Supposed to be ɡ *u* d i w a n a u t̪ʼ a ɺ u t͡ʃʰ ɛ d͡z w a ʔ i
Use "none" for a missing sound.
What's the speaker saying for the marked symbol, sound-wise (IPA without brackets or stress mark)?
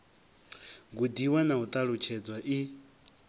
u